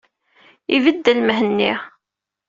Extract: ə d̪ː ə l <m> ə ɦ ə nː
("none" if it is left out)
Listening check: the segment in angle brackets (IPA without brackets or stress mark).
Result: m